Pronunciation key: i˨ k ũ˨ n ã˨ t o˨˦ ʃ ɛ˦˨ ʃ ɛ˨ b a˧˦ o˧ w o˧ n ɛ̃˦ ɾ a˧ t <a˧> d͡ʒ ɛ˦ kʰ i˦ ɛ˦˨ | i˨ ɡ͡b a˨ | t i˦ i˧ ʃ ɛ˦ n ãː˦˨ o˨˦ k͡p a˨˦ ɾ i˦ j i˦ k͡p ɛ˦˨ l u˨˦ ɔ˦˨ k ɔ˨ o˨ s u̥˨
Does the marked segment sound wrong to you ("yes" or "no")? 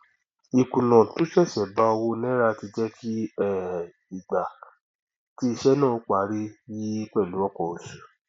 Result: yes